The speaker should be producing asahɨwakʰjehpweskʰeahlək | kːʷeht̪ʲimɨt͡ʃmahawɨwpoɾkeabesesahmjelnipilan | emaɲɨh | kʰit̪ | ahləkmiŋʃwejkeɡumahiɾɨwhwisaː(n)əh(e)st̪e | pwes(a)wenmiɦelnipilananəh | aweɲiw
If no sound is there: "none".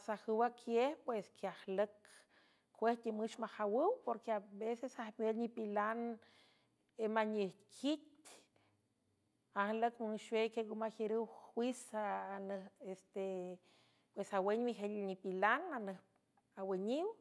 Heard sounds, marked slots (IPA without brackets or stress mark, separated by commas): n, e, a